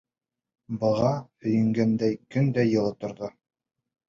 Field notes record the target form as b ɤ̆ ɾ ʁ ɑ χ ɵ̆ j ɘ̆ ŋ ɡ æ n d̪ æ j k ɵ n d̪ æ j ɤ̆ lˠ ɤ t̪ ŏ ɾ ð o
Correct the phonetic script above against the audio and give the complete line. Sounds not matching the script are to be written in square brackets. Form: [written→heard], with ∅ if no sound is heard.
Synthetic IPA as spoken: b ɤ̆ [ɾ→∅] ʁ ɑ [χ→h] ɵ̆ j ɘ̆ ŋ ɡ æ n d̪ æ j k ɵ n d̪ æ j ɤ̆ lˠ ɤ t̪ ŏ ɾ ð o